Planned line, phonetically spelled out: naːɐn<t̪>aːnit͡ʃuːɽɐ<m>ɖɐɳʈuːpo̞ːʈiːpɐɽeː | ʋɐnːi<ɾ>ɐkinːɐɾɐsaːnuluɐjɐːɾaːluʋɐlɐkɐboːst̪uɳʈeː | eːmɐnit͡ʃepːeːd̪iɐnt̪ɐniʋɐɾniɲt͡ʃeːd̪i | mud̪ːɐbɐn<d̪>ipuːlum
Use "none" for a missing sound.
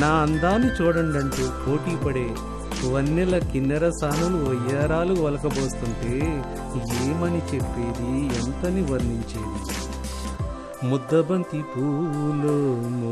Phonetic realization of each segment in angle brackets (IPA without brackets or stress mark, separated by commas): d̪, ɳ, l, t̪